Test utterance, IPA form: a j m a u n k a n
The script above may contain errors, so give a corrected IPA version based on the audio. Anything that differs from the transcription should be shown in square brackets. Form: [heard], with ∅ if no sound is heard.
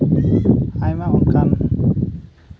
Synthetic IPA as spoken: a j m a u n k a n